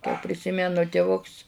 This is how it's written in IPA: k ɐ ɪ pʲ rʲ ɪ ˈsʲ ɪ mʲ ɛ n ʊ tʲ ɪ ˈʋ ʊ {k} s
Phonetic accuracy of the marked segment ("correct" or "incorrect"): correct